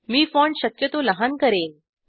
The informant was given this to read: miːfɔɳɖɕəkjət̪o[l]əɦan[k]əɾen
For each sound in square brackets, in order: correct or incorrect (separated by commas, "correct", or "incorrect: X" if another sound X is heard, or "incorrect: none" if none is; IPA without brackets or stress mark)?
correct, correct